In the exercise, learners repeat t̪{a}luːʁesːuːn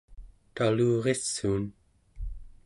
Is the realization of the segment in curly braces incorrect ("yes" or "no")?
no